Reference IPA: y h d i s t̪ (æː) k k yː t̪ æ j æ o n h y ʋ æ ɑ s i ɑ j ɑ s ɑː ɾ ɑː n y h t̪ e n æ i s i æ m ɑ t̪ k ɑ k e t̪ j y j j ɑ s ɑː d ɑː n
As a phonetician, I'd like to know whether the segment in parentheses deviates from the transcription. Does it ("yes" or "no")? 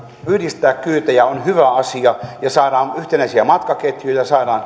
no